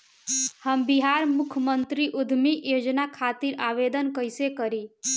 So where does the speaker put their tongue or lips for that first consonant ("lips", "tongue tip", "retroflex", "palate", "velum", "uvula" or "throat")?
throat